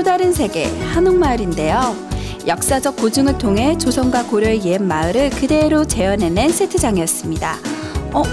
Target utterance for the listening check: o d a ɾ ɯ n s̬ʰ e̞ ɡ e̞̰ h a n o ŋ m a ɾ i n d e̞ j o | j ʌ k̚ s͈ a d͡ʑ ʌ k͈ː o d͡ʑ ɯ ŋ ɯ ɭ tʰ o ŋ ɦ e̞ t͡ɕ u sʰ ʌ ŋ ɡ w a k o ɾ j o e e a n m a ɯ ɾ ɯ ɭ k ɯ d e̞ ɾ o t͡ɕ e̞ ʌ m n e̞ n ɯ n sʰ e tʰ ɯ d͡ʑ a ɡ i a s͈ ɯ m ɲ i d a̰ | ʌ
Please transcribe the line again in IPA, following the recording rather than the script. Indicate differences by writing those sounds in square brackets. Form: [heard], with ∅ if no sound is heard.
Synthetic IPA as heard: o d a ɾ ɯ n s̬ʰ e̞ ɡ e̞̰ h a n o ŋ m a ɾ i n d e̞ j o | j ʌ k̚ s͈ a d͡ʑ ʌ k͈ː o d͡ʑ ɯ ŋ ɯ ɭ tʰ o ŋ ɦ e̞ t͡ɕ [o] sʰ ʌ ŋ ɡ w a k o ɾ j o e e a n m a ɯ ɾ ɯ ɭ k ɯ d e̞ ɾ o t͡ɕ e̞ ʌ [∅] n e̞ n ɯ n sʰ e tʰ ɯ d͡ʑ a [ŋ] i [ʌ] s͈ ɯ m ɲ i d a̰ | ʌ